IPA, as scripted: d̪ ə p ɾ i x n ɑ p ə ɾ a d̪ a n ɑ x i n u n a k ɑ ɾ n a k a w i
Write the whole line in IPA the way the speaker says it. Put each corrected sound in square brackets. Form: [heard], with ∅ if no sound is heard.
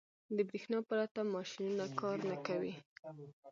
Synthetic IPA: d̪ ə [b] ɾ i x n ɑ p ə ɾ a [t̪] a [m] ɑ [ʃ] i n u n a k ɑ ɾ n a k a w i

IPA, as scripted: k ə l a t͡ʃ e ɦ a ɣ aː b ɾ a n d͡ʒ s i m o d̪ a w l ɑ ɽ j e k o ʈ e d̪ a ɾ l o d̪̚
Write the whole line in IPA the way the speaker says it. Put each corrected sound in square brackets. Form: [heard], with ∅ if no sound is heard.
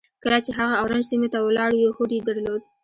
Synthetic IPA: k ə l a t͡ʃ e ɦ a ɣ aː [w] ɾ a n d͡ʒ s i m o [t̪] a w l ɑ ɽ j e [x] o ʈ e d̪ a ɾ l o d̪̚

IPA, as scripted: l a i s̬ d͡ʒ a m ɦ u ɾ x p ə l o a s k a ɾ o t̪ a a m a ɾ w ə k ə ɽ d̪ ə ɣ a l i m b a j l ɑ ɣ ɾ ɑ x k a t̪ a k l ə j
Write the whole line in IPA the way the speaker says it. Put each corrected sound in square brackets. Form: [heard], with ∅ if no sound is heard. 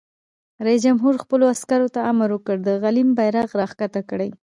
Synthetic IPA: [ɾ] a i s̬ d͡ʒ a m ɦ u ɾ x p ə l o a s k a ɾ o t̪ a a m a ɾ w ə k ə ɽ d̪ ə ɣ a l i m b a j [ɾ] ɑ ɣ ɾ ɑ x k a t̪ a k [ɽ] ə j

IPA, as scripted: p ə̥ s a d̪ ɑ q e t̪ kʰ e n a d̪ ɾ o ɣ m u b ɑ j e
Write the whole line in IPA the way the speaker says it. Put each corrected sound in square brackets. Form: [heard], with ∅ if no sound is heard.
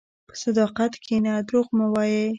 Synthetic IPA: p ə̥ s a d̪ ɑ q [a] t̪ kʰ e n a d̪ ɾ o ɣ m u [w] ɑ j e

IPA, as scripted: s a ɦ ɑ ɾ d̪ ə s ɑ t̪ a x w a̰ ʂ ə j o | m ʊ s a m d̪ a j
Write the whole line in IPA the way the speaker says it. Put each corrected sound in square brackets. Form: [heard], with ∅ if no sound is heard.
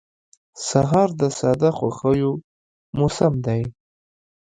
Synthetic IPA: s a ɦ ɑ ɾ d̪ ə s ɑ [d̪] a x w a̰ [x] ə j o | m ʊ s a m d̪ a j

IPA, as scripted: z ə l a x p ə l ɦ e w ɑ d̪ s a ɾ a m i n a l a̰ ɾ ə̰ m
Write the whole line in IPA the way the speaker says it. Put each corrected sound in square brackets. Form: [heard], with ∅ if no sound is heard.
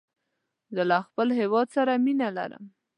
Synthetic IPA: z ə l a x p ə l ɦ e w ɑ d̪ s a ɾ a m i n a l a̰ ɾ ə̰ m

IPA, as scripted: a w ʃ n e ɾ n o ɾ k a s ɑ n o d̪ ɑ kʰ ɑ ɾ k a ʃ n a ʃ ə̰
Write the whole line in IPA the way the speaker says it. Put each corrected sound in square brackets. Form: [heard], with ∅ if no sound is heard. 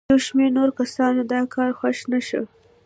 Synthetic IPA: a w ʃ [m] e ɾ n o ɾ k a s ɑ n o d̪ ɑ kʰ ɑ ɾ [x] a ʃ n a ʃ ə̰

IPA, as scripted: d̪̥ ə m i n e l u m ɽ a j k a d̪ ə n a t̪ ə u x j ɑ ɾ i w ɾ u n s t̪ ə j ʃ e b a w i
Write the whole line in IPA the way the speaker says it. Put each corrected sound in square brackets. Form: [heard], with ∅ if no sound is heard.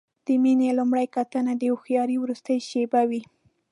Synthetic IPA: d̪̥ ə m i n e l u m ɽ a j k a [t̪] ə n a [d̪] ə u x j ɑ ɾ i w ɾ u [∅] s t̪ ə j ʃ e b a w i

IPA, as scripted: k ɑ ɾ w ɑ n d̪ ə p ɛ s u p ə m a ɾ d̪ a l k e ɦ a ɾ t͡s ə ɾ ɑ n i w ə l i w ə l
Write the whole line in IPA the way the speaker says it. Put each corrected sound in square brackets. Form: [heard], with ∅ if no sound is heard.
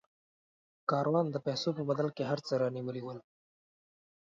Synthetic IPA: k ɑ ɾ w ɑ n d̪ ə p ɛ s [o] p ə [b] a [∅] d̪ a l k e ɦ a ɾ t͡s ə ɾ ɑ n i w ə l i w ə l

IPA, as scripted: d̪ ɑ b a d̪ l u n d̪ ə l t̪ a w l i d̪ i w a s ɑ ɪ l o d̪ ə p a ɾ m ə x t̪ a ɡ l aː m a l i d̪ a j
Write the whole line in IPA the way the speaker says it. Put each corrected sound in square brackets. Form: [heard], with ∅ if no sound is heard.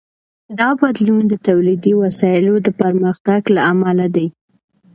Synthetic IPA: d̪ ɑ b a d̪ l u n d̪ ə [∅] t̪ a w l i d̪ i w a s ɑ ɪ l o d̪ ə p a ɾ m ə x t̪ a ɡ l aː m a l [a] d̪ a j

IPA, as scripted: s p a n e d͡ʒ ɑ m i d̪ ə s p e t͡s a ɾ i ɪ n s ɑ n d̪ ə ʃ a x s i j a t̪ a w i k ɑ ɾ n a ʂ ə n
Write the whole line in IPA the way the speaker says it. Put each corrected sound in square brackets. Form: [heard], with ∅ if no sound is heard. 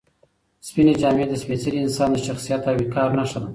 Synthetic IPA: s p [i] n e d͡ʒ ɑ m [e] d̪ ə s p e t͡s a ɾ i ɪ n s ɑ n d̪ ə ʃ a x s i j a t̪ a w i k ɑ ɾ n a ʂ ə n

